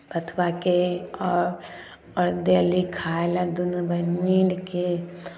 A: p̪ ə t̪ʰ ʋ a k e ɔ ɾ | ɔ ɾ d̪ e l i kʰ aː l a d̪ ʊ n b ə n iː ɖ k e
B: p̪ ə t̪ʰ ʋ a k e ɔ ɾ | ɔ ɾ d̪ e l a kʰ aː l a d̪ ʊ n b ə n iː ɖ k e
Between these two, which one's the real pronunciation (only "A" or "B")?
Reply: A